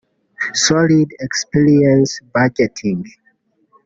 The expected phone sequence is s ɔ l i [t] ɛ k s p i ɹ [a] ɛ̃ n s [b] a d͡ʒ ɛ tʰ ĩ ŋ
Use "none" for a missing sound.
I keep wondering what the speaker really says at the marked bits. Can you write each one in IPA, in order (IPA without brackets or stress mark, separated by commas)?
d, i, b